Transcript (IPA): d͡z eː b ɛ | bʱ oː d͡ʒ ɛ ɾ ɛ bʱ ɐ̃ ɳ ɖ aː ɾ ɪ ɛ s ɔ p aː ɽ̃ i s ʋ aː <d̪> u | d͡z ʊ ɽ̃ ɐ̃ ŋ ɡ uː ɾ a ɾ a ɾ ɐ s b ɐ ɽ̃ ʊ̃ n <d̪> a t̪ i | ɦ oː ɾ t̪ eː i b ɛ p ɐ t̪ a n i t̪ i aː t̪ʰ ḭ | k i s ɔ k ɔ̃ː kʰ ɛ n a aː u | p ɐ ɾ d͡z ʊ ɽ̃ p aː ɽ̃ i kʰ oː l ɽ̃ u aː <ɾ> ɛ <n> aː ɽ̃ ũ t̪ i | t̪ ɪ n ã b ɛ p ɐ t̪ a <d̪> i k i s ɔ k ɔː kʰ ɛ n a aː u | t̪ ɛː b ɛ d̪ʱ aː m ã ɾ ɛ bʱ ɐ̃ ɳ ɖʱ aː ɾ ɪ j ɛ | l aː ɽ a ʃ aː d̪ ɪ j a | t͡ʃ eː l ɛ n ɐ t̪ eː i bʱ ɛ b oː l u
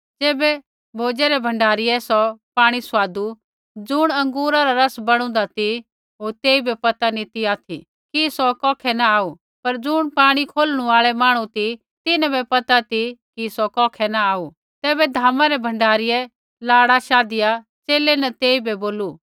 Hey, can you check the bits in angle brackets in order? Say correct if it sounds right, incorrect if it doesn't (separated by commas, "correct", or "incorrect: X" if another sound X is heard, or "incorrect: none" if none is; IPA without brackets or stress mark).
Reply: correct, correct, incorrect: ɭ, incorrect: m, incorrect: t̪